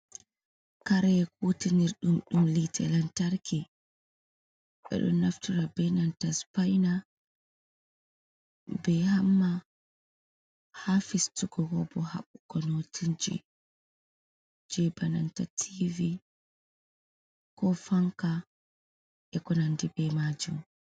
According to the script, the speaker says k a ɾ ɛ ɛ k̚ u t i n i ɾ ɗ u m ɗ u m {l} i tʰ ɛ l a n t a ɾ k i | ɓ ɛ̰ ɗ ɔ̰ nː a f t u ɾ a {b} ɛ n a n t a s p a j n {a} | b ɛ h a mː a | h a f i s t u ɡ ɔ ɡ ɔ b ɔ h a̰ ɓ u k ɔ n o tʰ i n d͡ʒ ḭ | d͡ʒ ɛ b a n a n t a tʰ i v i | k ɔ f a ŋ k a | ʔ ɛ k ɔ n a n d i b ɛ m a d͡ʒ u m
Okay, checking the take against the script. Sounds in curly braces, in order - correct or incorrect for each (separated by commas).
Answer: correct, correct, correct